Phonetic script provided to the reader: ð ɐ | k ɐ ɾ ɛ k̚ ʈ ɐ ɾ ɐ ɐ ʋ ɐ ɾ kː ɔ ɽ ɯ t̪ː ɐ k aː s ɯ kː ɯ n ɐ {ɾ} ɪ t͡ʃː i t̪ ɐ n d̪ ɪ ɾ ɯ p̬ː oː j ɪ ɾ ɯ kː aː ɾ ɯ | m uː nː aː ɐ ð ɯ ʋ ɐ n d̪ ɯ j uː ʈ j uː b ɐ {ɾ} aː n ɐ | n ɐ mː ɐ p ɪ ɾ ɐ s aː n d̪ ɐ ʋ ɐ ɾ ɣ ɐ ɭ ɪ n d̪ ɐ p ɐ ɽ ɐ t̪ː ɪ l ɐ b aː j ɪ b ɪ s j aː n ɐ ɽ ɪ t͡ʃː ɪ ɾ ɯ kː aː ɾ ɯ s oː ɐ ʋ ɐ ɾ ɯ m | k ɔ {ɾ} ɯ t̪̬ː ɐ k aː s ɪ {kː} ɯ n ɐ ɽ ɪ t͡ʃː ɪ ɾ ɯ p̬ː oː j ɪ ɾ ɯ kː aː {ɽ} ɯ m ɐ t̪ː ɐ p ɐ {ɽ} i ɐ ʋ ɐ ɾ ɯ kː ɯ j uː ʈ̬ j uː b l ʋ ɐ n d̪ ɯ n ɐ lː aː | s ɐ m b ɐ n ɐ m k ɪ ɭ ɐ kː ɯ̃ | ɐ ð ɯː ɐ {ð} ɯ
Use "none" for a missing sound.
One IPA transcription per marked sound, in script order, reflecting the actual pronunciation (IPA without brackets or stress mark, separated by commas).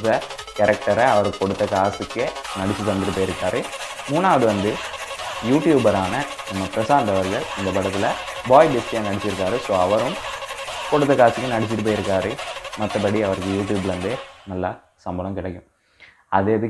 ɽ, ɾ, ɽ, kː, ɾ, ɽ, ð